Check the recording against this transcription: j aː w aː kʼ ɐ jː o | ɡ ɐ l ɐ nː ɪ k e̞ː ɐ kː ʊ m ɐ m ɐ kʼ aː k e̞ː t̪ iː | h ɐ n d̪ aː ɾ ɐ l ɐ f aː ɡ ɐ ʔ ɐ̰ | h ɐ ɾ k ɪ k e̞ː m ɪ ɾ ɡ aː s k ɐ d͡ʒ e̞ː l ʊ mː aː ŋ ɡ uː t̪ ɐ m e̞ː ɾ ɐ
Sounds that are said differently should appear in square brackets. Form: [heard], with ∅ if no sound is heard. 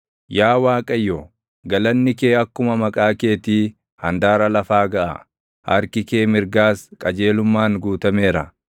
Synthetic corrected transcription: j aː w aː kʼ ɐ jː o | ɡ ɐ l ɐ nː ɪ k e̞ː ɐ kː ʊ m ɐ m ɐ kʼ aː k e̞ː t̪ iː | h ɐ n d̪ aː ɾ ɐ l ɐ f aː ɡ ɐ ʔ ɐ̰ | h ɐ ɾ k ɪ k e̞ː m ɪ ɾ ɡ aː s [kʼ] ɐ d͡ʒ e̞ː l ʊ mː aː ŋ ɡ uː t̪ ɐ m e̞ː ɾ ɐ